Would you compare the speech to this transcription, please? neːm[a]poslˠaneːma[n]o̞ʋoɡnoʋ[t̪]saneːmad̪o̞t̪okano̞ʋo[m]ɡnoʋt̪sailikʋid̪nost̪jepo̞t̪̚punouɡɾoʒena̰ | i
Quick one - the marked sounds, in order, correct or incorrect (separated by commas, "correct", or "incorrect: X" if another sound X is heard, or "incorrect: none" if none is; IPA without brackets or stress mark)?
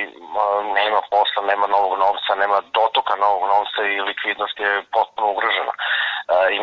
correct, correct, correct, incorrect: none